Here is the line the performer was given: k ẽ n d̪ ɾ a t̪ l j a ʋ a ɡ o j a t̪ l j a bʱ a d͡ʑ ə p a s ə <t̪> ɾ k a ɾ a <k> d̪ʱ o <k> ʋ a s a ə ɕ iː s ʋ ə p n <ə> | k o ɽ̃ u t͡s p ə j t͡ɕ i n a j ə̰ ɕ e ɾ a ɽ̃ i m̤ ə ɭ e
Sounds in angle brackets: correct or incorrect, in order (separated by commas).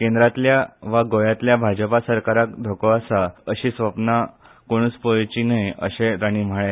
incorrect, correct, correct, incorrect